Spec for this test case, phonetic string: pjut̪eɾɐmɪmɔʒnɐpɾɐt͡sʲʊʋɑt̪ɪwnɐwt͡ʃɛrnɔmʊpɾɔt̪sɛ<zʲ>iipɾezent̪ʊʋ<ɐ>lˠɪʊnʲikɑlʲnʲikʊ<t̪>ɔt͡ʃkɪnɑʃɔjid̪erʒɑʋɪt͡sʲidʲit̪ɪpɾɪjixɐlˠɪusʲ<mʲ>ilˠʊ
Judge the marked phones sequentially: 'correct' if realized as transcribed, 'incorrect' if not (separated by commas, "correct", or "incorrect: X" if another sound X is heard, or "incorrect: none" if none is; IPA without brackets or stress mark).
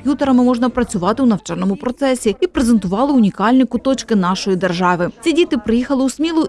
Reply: incorrect: sʲ, incorrect: ɑ, correct, correct